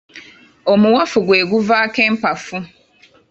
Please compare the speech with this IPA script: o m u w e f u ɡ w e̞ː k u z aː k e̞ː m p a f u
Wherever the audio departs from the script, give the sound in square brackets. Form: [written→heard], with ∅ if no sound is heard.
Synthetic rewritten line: o m u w [e→a] f u ɡ w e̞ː [k→ɡ] u [z→v] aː k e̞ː m p a f u